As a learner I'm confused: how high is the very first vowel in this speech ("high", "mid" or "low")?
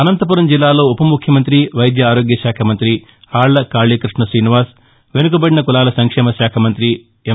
low